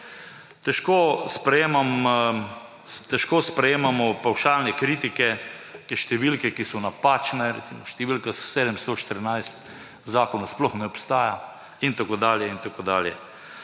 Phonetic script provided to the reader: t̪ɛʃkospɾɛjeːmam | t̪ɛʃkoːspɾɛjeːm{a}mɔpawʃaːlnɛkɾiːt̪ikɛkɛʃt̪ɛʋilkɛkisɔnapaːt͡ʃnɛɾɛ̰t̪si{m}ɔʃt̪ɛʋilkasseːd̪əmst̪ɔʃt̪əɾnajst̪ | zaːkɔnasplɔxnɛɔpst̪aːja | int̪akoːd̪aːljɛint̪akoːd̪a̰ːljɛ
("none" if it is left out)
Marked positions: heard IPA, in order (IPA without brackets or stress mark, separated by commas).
a, m